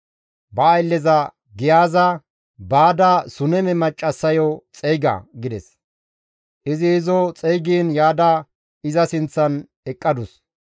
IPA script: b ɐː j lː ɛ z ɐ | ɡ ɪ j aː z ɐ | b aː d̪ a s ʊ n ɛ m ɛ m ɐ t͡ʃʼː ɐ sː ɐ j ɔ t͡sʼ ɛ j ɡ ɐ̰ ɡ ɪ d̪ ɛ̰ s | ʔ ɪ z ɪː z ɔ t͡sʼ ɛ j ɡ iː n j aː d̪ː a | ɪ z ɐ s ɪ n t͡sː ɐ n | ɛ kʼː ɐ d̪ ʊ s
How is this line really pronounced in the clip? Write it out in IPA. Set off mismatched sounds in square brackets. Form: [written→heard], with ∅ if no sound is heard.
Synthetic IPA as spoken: b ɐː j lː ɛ z ɐ | ɡ ɪ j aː z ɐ | b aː d̪ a s ʊ n ɛ m ɛ m ɐ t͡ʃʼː ɐ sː ɐ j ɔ t͡sʼ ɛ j ɡ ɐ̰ ɡ ɪ d̪ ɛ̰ s | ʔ ɪ z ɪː z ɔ t͡sʼ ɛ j ɡ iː n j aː [d̪ː→d̪] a | ɪ z ɐ s ɪ n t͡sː ɐ n | ɛ kʼː ɐ d̪ ʊ s